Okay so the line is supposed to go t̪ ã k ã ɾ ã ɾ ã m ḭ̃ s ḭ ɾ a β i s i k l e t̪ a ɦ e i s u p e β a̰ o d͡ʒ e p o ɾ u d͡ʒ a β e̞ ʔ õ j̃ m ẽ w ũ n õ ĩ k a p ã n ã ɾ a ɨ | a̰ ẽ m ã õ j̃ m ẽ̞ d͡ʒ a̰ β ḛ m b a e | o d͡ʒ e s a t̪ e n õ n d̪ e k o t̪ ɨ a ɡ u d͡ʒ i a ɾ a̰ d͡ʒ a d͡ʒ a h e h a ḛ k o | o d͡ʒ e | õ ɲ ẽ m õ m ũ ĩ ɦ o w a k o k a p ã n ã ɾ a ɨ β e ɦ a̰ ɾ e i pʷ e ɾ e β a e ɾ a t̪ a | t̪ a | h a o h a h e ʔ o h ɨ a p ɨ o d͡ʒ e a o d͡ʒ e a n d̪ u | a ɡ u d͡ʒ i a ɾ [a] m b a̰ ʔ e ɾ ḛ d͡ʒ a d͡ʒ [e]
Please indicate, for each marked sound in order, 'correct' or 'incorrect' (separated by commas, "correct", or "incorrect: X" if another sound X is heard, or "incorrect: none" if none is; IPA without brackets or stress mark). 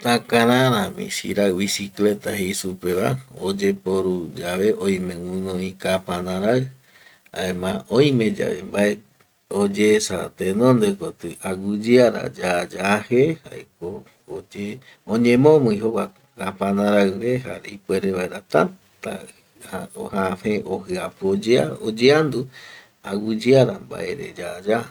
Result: correct, incorrect: a